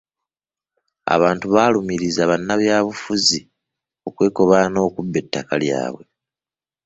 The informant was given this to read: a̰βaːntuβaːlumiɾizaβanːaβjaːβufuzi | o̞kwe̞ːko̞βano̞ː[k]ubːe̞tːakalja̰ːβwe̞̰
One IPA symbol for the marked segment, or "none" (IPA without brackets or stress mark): k